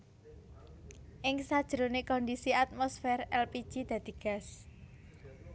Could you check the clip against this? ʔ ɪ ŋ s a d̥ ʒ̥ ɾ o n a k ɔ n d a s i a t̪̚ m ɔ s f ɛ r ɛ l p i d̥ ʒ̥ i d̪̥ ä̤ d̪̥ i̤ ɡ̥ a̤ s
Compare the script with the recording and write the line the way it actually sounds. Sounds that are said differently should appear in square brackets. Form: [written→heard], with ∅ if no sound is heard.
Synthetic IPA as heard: ʔ ɪ ŋ s a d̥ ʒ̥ ɾ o n [a→e] k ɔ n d [a→i] s i a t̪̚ m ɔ s f ɛ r ɛ l p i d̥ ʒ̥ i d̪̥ ä̤ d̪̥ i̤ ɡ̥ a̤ s